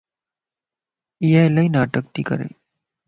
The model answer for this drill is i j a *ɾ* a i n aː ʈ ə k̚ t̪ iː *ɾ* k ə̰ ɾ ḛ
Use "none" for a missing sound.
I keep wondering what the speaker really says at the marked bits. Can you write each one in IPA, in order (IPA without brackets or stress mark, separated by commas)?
l, none